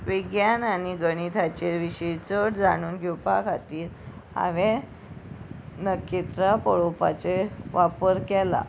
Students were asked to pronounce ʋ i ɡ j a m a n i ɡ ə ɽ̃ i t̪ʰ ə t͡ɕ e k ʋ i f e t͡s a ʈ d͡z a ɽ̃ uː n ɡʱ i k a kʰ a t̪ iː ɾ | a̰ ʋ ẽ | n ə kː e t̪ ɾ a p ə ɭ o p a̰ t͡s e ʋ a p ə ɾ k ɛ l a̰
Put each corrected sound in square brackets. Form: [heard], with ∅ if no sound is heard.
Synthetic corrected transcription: ʋ i ɡ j a [n] a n i ɡ ə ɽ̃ i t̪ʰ [a] t͡ɕ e [∅] ʋ i [ɕ] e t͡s [ə] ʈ d͡z a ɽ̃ uː n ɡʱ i [p] a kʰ a t̪ iː ɾ | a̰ ʋ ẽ | n ə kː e t̪ ɾ a p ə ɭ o p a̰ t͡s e ʋ a p ə ɾ k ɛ l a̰

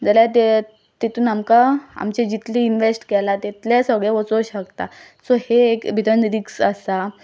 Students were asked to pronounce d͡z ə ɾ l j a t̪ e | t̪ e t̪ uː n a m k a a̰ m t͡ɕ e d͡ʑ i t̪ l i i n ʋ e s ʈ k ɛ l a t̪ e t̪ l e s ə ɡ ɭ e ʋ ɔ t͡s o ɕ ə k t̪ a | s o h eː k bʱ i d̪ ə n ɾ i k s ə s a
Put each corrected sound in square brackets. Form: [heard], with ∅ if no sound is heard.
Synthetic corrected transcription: d͡z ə [∅] l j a t̪ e | t̪ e t̪ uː n a m k a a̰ m t͡ɕ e d͡ʑ i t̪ l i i n ʋ e s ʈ k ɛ l a t̪ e t̪ l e s ə ɡ ɭ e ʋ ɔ t͡s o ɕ ə k t̪ a | s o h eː k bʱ i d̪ ə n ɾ i k s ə s a

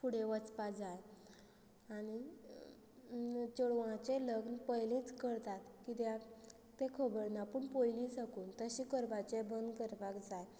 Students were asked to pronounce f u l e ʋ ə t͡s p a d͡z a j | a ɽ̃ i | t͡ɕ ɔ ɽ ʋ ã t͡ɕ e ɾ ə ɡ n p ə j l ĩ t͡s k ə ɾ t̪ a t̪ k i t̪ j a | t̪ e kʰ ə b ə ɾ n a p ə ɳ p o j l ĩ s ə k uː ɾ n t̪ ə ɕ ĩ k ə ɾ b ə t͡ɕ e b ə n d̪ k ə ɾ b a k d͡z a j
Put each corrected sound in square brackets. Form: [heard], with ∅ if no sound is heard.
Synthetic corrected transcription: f u [ɽ] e ʋ ə t͡s p a d͡z a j | a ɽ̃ i | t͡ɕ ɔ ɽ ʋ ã t͡ɕ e [l] ə ɡ n p ə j l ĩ t͡s k ə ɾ t̪ a t̪ k i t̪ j a | t̪ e kʰ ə b ə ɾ n a p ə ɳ p o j l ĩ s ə k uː [∅] n t̪ ə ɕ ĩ k ə ɾ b [a] t͡ɕ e b ə n d̪ k ə ɾ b a k d͡z a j

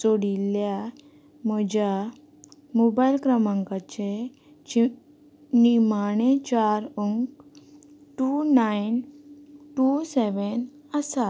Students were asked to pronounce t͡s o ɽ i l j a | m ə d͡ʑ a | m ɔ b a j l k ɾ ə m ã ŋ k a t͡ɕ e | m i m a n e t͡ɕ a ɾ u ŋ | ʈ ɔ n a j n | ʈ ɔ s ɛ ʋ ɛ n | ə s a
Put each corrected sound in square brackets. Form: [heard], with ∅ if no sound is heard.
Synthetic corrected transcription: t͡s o ɽ i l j a | m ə d͡ʑ a | m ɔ b a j l k ɾ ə m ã ŋ k a t͡ɕ e | [n] i m a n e t͡ɕ a ɾ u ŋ | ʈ [u] n a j n | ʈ [u] s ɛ ʋ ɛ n | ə s a

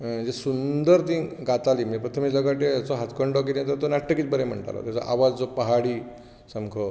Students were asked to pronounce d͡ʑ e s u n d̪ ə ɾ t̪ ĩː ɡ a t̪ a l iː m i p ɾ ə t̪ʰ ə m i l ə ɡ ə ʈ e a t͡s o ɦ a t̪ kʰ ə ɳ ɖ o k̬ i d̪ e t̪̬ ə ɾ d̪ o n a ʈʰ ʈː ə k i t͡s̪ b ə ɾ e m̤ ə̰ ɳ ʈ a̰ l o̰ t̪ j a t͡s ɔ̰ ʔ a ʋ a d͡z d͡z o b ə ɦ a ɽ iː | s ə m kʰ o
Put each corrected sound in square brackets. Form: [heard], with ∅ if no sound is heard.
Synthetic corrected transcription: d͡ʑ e s u n d̪ ə ɾ t̪ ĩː ɡ a t̪ a l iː m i p ɾ ə t̪ʰ ə m i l ə ɡ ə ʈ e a t͡s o ɦ a t̪ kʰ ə ɳ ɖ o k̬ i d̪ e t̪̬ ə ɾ [t̪] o n a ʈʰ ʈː ə k i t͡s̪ b ə ɾ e m̤ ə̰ ɳ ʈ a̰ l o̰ t̪ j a t͡s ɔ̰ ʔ a ʋ a d͡z d͡z o [p] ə ɦ a ɽ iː | s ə m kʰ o

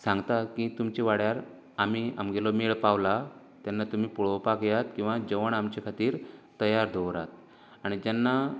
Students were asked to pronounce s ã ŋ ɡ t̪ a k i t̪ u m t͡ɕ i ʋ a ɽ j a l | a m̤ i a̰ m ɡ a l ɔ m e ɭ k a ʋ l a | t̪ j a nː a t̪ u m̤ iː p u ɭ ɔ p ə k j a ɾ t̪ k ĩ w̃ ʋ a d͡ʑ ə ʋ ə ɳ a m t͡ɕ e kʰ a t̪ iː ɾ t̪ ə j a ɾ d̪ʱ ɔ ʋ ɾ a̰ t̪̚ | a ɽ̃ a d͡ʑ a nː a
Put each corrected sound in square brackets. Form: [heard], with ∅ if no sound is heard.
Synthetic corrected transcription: s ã ŋ ɡ t̪ a k i t̪ u m t͡ɕ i ʋ a ɽ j a [ɾ] | a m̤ i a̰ m ɡ [e] l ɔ m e ɭ [p] a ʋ l a | t̪ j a nː a t̪ u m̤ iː p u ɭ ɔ p [a] k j a [∅] t̪ k ĩ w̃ ʋ a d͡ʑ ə ʋ ə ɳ a m t͡ɕ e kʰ a t̪ iː ɾ t̪ ə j a ɾ d̪ʱ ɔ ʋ ɾ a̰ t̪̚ | a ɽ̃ [i] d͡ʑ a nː a

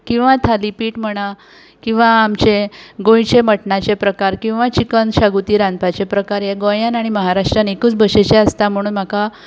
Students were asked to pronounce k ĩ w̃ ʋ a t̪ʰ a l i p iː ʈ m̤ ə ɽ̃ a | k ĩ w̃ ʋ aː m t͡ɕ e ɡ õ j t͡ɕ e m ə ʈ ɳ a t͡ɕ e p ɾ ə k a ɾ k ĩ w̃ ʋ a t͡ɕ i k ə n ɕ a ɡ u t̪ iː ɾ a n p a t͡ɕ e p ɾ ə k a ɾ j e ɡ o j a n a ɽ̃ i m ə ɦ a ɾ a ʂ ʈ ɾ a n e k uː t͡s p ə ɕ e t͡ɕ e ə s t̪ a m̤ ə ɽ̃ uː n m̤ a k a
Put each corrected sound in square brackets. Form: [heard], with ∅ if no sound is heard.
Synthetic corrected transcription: k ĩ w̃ ʋ a t̪ʰ a l i p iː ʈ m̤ ə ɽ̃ a | k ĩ w̃ ʋ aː m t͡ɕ e ɡ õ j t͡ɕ e m ə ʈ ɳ a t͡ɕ e p ɾ ə k a ɾ k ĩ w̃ ʋ a t͡ɕ i k ə n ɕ a ɡ u t̪ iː ɾ a n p a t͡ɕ e p ɾ ə k a ɾ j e ɡ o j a n a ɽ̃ i m ə ɦ a ɾ a ʂ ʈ ɾ a n e k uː t͡s [b] ə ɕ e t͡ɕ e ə s t̪ a m̤ ə ɽ̃ uː n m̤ a k a

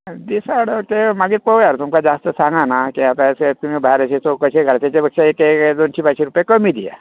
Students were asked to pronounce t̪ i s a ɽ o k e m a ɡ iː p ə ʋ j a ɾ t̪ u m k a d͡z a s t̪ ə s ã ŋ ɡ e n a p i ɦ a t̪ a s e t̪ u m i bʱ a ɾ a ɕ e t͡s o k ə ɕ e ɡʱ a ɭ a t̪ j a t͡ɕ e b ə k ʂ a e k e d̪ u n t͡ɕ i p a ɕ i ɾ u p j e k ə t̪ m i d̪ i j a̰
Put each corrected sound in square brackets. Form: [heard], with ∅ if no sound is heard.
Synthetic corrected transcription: [d̪] i s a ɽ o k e m a ɡ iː p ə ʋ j a ɾ t̪ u m k a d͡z a s t̪ ə s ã ŋ ɡ [a] n a [k] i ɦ a t̪ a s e t̪ u m i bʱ a ɾ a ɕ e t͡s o k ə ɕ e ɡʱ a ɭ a t̪ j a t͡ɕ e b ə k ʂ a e k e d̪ [o] n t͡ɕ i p a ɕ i ɾ u p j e k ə [∅] m i d̪ i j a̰

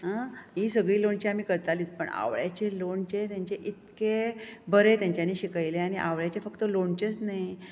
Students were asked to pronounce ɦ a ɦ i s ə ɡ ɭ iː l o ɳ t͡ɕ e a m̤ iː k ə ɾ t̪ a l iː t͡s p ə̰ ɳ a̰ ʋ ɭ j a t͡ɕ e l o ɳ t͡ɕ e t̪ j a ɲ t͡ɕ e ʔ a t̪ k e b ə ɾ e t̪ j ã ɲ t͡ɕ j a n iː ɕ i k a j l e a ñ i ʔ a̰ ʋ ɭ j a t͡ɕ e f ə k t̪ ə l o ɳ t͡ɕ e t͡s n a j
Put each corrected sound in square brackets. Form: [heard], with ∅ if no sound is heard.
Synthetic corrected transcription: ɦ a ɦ i s ə ɡ ɭ iː l o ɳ t͡ɕ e a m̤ iː k ə ɾ t̪ a l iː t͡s p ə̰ ɳ a̰ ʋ ɭ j a t͡ɕ e l o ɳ t͡ɕ e t̪ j a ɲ t͡ɕ e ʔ [i] t̪ k e b ə ɾ e t̪ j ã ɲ t͡ɕ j a n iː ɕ i k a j l e a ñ i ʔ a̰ ʋ ɭ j a t͡ɕ e f ə k t̪ ə l o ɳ t͡ɕ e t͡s n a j

